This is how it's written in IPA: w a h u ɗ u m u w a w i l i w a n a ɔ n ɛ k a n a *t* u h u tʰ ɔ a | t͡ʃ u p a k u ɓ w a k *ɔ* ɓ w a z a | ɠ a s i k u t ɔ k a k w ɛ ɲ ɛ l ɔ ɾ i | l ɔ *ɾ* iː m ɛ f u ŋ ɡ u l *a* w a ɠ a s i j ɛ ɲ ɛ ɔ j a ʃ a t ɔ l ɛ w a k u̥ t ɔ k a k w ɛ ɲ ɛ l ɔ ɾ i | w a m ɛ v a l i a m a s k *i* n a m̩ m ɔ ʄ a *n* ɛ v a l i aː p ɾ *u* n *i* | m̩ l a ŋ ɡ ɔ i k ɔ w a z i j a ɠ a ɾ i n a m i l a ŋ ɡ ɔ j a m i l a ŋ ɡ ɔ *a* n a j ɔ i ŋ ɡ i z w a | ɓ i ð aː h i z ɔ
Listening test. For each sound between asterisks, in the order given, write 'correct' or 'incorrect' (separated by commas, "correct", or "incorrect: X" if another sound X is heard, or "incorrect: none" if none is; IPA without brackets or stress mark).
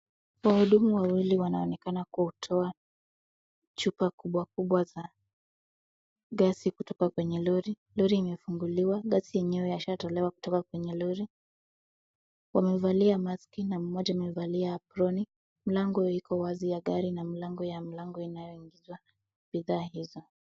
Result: incorrect: k, incorrect: u, correct, incorrect: i, correct, incorrect: m, incorrect: ɔ, correct, incorrect: i